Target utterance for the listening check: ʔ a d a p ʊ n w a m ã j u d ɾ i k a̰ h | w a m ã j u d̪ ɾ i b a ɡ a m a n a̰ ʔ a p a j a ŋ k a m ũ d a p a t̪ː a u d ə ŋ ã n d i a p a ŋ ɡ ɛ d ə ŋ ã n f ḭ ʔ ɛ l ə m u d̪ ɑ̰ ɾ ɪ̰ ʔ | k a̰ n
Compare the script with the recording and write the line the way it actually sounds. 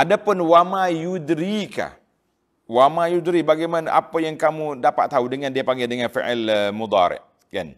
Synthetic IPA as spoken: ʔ a d a p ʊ n w a m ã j u d ɾ i k a̰ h | w a m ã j u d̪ ɾ i b a ɡ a m a n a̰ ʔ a p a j a ŋ k a m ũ d a p a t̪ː a u d ə ŋ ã n d i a p a ŋ ɡ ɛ d ə ŋ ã n f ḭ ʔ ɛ l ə m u d̪ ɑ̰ ɾ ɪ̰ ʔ | k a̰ n